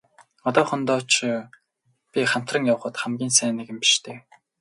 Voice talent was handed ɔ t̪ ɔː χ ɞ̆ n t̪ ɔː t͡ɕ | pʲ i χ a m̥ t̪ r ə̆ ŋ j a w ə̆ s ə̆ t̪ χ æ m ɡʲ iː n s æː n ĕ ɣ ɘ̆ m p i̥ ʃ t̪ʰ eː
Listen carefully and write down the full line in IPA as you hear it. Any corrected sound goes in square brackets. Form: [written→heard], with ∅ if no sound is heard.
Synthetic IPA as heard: ɔ t̪ ɔː χ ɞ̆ n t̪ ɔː t͡ɕ | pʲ i χ a m̥ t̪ r ə̆ ŋ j a w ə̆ [s→χ] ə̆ t̪ χ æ m ɡʲ iː n s æː n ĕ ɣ ɘ̆ m p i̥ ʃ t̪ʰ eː